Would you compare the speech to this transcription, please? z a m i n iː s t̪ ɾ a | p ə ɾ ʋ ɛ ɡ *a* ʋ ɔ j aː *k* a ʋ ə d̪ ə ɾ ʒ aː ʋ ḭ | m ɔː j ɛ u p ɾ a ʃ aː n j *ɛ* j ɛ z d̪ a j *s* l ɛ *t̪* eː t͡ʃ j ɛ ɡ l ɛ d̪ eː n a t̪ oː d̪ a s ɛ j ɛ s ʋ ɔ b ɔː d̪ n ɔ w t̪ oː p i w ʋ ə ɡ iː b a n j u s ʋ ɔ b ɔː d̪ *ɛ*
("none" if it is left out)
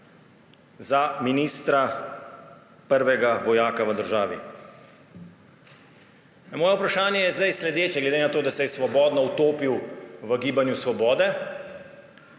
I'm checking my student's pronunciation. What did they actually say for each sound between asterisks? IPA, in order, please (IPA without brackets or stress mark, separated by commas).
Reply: a, k, ɛ, s, d̪, ɛ